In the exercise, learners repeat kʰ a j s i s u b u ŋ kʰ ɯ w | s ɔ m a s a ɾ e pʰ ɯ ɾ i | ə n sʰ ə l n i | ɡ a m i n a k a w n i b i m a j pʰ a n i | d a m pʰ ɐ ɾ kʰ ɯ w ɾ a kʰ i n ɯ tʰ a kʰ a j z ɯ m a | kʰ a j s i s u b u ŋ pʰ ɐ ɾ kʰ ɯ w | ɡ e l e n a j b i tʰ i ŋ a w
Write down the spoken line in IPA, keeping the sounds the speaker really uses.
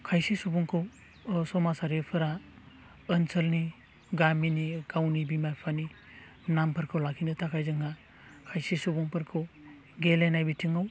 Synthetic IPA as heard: kʰ a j s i s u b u ŋ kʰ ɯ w | s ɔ m a s a ɾ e pʰ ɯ ɾ a | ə n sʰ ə l n i | ɡ a m i n i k a w n i b i m a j pʰ a n i | n a m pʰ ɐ ɾ kʰ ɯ w l a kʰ i n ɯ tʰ a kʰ a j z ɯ ŋ a | kʰ a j s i s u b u ŋ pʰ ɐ ɾ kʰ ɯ w | ɡ e l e n a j b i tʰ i ŋ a w